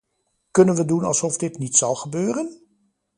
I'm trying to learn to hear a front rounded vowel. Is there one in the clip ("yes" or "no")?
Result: yes